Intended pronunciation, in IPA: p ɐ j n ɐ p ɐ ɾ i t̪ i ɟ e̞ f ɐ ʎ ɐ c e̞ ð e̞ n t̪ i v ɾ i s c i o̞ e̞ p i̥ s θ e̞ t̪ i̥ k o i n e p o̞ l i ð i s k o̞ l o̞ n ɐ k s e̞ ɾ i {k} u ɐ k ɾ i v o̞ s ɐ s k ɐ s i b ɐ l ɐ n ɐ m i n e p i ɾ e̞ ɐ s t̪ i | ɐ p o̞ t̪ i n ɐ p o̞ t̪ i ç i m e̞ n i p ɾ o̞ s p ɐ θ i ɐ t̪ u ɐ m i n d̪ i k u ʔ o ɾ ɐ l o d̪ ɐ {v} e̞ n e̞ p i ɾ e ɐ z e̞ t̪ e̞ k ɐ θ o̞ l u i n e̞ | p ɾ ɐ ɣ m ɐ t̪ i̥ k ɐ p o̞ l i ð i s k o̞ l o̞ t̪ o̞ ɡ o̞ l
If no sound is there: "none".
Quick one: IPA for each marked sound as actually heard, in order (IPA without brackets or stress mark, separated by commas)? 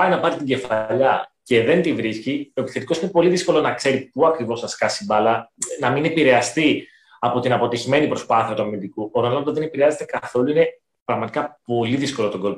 p, ð